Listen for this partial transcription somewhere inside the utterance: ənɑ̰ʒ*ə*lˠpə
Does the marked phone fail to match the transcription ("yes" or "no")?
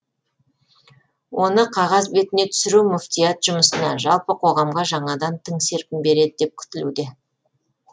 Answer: yes